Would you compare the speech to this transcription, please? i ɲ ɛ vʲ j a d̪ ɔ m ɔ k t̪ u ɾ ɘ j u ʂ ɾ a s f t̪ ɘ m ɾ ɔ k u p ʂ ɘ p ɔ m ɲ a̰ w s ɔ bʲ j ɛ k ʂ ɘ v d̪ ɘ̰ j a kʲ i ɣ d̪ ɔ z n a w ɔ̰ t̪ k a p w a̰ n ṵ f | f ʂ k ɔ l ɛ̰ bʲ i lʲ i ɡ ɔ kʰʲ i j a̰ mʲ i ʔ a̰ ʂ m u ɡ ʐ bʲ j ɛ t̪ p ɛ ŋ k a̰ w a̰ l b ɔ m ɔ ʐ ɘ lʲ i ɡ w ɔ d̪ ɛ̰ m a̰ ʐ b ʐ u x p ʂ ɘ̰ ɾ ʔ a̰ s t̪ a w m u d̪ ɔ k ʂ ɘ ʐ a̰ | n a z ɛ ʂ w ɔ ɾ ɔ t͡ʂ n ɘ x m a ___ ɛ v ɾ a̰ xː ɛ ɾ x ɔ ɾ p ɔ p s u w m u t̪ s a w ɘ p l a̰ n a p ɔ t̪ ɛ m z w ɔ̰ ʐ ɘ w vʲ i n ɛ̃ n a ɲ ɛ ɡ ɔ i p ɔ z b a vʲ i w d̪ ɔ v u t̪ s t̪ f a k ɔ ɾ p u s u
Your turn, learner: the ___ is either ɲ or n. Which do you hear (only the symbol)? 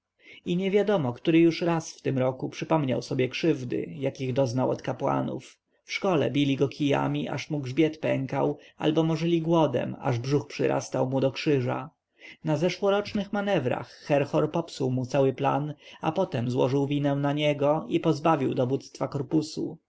n